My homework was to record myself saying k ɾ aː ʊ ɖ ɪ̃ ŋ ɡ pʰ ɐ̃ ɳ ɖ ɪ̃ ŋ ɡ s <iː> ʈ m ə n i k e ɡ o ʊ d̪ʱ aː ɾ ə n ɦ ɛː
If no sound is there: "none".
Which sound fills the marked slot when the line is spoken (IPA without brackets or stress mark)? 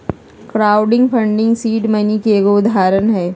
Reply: iː